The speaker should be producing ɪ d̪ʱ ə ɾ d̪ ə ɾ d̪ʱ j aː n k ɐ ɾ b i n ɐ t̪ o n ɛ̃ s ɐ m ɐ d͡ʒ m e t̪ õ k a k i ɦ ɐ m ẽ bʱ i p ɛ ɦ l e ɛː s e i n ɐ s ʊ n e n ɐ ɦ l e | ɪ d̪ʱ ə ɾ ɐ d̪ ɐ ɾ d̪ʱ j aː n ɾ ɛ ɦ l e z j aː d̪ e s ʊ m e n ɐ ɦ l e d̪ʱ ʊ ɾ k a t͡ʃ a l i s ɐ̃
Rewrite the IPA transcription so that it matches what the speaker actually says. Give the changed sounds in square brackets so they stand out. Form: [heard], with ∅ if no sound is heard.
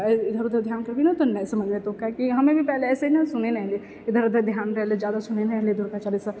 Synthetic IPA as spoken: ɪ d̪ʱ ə ɾ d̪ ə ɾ d̪ʱ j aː n k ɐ ɾ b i n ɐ t̪ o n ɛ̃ s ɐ m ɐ d͡ʒ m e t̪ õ k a k i ɦ ɐ m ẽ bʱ i p ɛ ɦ l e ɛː s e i n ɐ s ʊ n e n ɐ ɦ l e | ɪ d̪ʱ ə ɾ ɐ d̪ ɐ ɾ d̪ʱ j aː n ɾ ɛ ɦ l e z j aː d̪ [a] s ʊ [n] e n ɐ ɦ l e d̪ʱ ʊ ɾ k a t͡ʃ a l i s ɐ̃